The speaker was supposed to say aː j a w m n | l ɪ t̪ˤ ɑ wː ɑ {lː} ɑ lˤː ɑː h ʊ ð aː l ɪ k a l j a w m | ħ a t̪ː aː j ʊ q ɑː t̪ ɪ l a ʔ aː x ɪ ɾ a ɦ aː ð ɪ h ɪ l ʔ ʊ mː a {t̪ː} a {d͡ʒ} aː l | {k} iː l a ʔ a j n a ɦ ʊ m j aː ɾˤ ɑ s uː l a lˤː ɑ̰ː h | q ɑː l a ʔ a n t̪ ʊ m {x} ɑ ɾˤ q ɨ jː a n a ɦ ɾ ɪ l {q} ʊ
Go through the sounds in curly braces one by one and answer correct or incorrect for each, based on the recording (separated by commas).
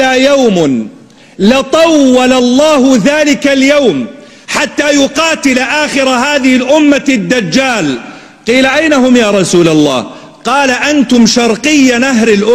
incorrect, incorrect, incorrect, incorrect, incorrect, incorrect